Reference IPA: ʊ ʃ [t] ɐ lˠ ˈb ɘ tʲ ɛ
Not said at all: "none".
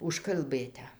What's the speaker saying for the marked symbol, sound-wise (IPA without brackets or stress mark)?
k